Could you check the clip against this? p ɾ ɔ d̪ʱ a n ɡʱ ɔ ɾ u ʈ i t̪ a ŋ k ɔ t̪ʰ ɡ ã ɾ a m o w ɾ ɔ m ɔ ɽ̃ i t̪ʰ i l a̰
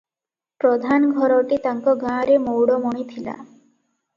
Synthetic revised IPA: p ɾ ɔ d̪ʱ a n ɡʱ ɔ ɾ ɔ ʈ i t̪ a ŋ k ɔ ɡ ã ɾ e m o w ɽ ɔ m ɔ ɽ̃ i t̪ʰ i l a̰